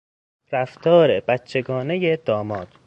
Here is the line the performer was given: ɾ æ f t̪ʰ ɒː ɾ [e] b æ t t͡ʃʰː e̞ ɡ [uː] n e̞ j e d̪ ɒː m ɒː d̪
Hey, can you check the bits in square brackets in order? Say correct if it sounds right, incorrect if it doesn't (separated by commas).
correct, incorrect